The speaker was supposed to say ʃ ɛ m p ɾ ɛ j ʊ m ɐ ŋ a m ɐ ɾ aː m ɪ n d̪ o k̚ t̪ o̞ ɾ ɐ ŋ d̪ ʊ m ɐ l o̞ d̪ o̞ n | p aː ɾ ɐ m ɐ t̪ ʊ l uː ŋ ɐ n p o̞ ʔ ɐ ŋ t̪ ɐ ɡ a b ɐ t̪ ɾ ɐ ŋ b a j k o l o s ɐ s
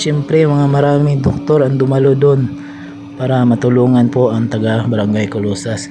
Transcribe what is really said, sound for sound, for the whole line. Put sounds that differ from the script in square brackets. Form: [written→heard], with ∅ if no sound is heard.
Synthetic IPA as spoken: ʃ ɛ m p ɾ ɛ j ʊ m ɐ ŋ a m ɐ ɾ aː m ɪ [n→ŋ] d̪ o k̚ t̪ o̞ ɾ ɐ ŋ d̪ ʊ m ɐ l o̞ d̪ o̞ n | p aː ɾ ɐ m ɐ t̪ ʊ l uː ŋ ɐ n p o̞ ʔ ɐ ŋ t̪ ɐ ɡ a b ɐ [t̪→∅] ɾ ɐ ŋ [b→ɡ] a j k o l o s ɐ s

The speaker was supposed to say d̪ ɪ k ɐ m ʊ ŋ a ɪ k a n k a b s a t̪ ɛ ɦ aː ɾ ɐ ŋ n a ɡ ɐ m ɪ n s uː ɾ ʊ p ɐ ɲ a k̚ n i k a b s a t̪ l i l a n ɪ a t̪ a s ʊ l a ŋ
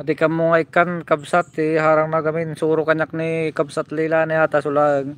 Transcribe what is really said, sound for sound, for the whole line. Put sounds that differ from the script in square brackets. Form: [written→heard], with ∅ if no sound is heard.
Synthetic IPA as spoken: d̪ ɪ k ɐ m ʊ ŋ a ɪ k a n k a b s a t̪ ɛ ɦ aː ɾ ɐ ŋ n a ɡ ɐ m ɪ n s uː ɾ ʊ [p→k] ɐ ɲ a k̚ n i k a b s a t̪ l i l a n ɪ a t̪ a s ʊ l a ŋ

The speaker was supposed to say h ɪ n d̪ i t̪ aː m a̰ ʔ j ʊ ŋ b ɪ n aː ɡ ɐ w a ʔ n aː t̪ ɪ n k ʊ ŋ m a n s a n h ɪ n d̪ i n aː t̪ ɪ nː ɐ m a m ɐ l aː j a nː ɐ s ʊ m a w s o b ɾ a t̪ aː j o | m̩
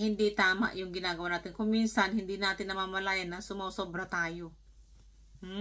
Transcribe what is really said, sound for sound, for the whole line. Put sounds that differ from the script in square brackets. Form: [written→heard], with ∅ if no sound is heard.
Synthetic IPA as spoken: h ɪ n d̪ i t̪ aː m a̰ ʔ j ʊ ŋ [b→ɡ] ɪ n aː ɡ ɐ w a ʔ n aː t̪ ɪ n k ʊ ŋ m [a→i] n s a n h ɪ n d̪ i n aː t̪ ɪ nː ɐ m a m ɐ l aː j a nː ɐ s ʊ m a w s o b ɾ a t̪ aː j o | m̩

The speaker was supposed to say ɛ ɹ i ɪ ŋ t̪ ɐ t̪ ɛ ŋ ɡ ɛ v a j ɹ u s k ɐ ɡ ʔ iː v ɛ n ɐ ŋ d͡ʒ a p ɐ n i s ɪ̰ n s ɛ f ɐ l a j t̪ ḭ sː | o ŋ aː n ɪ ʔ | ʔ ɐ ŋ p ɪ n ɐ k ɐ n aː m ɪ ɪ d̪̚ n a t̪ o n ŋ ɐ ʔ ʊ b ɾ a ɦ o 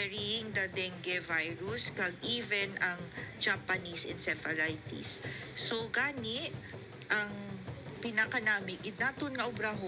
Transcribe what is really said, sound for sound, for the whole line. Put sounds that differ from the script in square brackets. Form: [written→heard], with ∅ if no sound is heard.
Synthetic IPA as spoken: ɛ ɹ i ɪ ŋ [t̪→d̪] ɐ [t̪→d̪] ɛ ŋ ɡ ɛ v a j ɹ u s k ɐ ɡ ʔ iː v ɛ n ɐ ŋ d͡ʒ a p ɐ n i s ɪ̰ n s ɛ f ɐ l a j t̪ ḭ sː | o [ŋ→ɡ] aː n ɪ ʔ | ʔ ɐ ŋ p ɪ n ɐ k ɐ n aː m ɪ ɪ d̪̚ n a t̪ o n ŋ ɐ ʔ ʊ b ɾ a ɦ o

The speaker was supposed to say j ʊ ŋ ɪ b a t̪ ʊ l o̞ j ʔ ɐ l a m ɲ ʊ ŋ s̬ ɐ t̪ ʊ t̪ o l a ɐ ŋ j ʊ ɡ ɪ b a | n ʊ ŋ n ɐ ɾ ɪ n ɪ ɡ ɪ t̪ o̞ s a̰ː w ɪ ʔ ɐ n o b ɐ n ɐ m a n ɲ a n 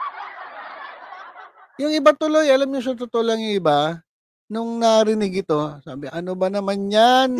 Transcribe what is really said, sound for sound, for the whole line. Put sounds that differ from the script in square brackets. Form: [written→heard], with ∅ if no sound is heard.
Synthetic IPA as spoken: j ʊ ŋ ɪ b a t̪ ʊ l o̞ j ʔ ɐ l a m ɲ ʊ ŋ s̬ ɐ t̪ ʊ t̪ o l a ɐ ŋ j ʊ [ɡ→ŋ] ɪ b a | n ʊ ŋ n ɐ ɾ ɪ n ɪ ɡ ɪ t̪ o̞ s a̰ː [w→b] ɪ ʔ ɐ n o b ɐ n ɐ m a n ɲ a n

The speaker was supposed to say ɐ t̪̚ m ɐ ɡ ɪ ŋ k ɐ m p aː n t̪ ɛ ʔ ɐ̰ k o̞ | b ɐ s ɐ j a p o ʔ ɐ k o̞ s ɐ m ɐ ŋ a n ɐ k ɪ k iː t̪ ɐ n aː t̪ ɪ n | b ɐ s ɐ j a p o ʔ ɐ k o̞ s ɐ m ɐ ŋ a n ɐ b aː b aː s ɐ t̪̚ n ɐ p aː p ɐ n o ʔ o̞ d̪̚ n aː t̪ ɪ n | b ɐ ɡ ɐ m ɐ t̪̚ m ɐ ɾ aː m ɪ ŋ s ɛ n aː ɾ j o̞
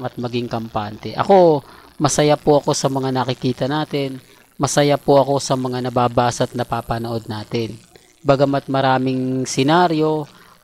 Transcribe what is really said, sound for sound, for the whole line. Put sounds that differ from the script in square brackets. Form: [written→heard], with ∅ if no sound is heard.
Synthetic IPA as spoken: ɐ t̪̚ m ɐ ɡ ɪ ŋ k ɐ m p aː n t̪ ɛ ʔ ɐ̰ k o̞ | [b→m] ɐ s ɐ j a p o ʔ ɐ k o̞ s ɐ m ɐ ŋ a n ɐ k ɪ k iː t̪ ɐ n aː t̪ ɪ n | [b→m] ɐ s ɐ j a p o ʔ ɐ k o̞ s ɐ m ɐ ŋ a n ɐ b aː b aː s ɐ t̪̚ n ɐ p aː p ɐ n o ʔ o̞ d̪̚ n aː t̪ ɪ n | b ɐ ɡ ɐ m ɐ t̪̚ m ɐ ɾ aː m ɪ ŋ s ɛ n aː ɾ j o̞

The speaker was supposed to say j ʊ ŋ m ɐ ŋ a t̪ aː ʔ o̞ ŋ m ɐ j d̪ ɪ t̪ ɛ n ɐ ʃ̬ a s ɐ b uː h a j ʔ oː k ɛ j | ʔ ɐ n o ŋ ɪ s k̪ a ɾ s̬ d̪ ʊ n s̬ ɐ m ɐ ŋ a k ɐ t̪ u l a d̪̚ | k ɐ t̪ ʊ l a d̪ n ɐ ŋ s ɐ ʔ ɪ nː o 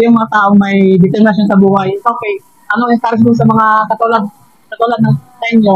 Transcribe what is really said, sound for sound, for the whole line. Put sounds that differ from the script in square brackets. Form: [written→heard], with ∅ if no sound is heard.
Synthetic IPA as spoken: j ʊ ŋ m ɐ ŋ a t̪ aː ʔ o̞ ŋ m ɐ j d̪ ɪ t̪ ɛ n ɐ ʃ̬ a s ɐ b uː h a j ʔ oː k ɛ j | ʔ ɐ n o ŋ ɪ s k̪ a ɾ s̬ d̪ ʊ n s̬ ɐ m ɐ ŋ a k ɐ t̪ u l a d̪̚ | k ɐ t̪ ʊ l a d̪ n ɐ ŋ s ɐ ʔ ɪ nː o

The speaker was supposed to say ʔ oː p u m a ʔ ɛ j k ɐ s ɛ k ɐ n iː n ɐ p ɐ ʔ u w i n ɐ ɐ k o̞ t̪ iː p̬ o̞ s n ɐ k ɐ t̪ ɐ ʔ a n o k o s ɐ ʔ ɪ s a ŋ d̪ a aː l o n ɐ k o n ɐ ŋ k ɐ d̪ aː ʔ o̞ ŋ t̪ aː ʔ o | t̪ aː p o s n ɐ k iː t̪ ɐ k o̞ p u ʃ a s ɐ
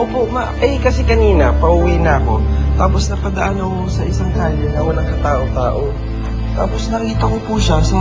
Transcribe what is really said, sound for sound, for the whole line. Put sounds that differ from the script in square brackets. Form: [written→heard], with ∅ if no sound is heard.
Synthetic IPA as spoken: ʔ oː p [u→o] m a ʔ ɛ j k ɐ s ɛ k ɐ n iː n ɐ p ɐ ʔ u w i n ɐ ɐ k o̞ t̪ [iː→aː] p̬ o̞ s n ɐ [k→p] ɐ [t̪→d̪] ɐ ʔ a n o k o s ɐ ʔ ɪ s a ŋ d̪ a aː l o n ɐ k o n ɐ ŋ k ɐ [d̪→t̪] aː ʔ o̞ ŋ t̪ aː ʔ o | t̪ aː p o s n ɐ k iː t̪ ɐ k o̞ p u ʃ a s ɐ

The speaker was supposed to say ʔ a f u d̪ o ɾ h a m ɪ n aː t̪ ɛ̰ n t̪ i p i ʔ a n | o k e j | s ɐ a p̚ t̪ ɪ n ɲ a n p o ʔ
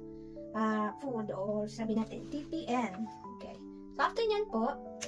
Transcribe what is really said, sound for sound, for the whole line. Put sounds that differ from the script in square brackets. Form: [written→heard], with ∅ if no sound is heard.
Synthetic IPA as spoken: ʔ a f u d̪ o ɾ [h→s] a [m→b] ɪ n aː t̪ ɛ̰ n t̪ i p i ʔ [a→ɛ] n | o k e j | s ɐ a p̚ t̪ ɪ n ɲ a n p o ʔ

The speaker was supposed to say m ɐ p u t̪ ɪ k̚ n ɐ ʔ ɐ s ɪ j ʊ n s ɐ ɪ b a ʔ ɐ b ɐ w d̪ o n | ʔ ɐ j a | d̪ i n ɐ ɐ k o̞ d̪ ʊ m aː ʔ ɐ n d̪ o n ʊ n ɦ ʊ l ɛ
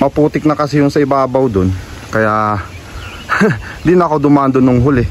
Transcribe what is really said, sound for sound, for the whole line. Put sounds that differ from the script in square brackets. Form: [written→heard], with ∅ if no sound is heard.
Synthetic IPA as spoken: m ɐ p [u→uː] t̪ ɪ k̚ n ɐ [ʔ→k] ɐ s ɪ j ʊ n s ɐ ɪ b a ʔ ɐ b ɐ w d̪ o n | [ʔ→k] ɐ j a | d̪ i n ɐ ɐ k o̞ d̪ ʊ m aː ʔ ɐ n d̪ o n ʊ [n→ŋ] ɦ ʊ l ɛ

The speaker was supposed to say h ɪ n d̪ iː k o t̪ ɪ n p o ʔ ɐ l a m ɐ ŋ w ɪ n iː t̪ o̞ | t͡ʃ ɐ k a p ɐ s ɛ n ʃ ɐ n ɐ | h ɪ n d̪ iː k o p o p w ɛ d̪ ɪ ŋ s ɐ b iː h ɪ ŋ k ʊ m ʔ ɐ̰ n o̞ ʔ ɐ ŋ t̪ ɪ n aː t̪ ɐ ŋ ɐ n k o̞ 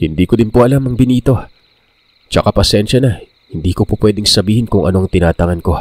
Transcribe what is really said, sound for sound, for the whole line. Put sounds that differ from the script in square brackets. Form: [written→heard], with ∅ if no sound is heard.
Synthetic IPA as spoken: h ɪ n d̪ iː k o [t̪→d̪] ɪ n p o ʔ ɐ l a m ɐ ŋ [w→b] ɪ n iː t̪ o̞ | t͡ʃ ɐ k a p ɐ s ɛ n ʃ ɐ n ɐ | h ɪ n d̪ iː k o p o p w ɛ d̪ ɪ ŋ s ɐ b iː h ɪ [ŋ→n] k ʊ [m→ŋ] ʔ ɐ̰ n o̞ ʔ ɐ ŋ t̪ ɪ n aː t̪ ɐ ŋ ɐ n k o̞

